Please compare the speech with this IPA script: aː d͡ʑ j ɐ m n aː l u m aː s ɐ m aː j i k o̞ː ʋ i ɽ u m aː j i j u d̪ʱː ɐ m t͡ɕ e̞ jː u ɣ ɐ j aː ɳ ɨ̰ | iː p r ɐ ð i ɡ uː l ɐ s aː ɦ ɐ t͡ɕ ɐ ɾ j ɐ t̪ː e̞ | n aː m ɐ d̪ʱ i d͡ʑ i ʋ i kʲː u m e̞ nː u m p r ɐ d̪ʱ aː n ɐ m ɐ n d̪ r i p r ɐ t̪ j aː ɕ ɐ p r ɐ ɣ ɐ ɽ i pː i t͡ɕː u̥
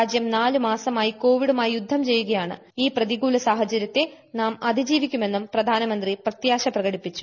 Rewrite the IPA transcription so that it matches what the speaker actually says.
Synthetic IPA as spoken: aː d͡ʑ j ɐ m n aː l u m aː s ɐ m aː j i k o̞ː ʋ i ɽ u m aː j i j u d̪ʱː ɐ m t͡ɕ e̞ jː u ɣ ɐ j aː ɳ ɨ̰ | iː p r ɐ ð i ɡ uː l ɐ s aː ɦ ɐ t͡ɕ ɐ ɾ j ɐ t̪ː e̞ | n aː m ɐ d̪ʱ i d͡ʑ iː ʋ i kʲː u m e̞ nː u m p r ɐ d̪ʱ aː n ɐ m ɐ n d̪ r i p r ɐ t̪ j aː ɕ ɐ p r ɐ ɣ ɐ ɽ i pː i t͡ɕː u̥